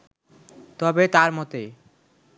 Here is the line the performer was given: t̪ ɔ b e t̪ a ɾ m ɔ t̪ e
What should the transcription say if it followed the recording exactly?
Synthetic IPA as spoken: t̪ ɔ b e t̪ a ɾ m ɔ t̪ e